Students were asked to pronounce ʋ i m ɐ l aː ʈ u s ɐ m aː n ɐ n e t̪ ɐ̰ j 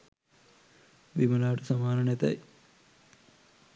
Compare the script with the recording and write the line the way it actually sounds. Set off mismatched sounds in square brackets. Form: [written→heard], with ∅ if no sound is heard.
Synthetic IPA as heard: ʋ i m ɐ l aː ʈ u s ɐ m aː n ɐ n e t̪ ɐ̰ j